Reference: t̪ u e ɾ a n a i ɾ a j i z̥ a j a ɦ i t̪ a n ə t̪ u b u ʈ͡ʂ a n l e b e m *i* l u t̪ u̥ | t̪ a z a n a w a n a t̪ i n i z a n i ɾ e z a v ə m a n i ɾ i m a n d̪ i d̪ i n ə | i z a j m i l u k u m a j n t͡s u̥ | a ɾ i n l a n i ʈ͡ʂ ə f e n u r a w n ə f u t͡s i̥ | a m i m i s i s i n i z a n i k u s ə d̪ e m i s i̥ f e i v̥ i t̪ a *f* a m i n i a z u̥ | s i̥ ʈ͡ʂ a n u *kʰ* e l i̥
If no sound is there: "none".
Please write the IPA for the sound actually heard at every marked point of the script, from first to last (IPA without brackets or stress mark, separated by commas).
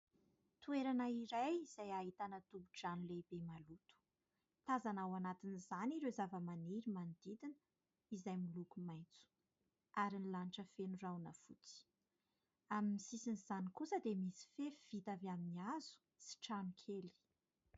a, v, kʰ